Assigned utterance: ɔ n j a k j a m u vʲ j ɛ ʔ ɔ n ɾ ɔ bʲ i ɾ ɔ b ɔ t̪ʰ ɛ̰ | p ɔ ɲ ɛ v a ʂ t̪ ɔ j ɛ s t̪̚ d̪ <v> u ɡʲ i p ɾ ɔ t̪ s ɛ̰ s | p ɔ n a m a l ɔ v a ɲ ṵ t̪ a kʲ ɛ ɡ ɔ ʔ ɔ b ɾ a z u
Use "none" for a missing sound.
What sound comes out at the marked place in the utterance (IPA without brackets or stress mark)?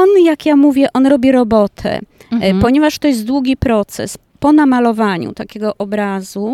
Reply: w